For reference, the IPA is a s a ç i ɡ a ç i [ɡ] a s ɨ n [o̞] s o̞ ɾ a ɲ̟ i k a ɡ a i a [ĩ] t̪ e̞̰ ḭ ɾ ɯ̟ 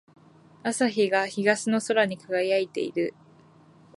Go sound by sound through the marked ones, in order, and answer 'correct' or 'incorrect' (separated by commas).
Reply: correct, correct, incorrect